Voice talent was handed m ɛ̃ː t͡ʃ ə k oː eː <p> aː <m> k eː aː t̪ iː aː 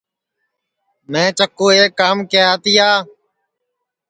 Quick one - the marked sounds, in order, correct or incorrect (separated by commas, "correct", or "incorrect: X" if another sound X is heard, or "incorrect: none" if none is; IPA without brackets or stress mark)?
incorrect: k, correct